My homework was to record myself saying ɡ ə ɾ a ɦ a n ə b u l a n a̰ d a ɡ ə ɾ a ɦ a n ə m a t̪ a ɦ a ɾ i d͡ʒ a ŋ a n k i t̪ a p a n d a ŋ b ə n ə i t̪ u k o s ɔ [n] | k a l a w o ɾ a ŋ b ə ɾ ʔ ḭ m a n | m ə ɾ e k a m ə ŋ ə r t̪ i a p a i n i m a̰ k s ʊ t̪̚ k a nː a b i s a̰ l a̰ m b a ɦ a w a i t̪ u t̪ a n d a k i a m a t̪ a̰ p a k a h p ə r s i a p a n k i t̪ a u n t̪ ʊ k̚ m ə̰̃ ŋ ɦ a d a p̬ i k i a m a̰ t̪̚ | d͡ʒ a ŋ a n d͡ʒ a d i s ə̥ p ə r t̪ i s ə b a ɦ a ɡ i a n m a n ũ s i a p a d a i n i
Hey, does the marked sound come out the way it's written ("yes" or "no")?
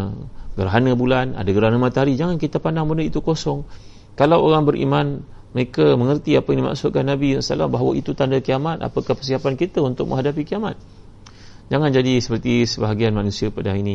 no